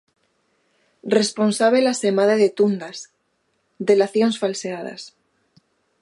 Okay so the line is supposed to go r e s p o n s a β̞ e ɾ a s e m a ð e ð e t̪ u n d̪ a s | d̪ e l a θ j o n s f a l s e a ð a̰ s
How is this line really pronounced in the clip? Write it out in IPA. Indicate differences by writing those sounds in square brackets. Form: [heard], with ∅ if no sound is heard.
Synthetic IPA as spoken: r e s p o n s a β̞ e [l] a s e m a ð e ð e t̪ u n d̪ a s | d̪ e l a θ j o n s f a l s e a ð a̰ s